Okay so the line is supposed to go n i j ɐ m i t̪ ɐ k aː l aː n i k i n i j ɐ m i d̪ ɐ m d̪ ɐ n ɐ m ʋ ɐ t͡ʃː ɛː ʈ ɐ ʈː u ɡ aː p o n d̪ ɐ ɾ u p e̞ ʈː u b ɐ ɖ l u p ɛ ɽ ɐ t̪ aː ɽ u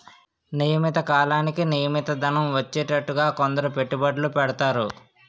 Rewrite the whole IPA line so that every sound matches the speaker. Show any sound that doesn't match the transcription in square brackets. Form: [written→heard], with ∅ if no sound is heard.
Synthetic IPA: n i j ɐ m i t̪ ɐ k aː l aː n i k i n i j ɐ m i [d̪→t̪] ɐ [m→∅] d̪ ɐ n ɐ m ʋ ɐ t͡ʃː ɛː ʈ ɐ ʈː u ɡ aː [p→k] o n d̪ ɐ ɾ u p e̞ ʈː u b ɐ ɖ l u p ɛ ɽ ɐ t̪ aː [ɽ→ɾ] u

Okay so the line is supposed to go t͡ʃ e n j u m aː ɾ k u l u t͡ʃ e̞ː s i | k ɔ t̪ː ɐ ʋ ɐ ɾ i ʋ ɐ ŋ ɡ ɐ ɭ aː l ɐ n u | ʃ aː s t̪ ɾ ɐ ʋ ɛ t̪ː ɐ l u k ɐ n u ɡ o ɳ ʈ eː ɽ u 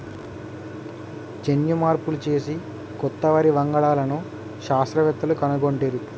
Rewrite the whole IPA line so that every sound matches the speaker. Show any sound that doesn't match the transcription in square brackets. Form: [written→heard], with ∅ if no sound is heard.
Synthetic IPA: t͡ʃ e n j u m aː ɾ [k→p] u l u t͡ʃ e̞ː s i | k ɔ t̪ː ɐ ʋ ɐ ɾ i ʋ ɐ ŋ ɡ ɐ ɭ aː l ɐ n u | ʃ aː s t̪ ɾ ɐ ʋ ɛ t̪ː ɐ l u k ɐ n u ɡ o ɳ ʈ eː [ɽ→ɾ] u

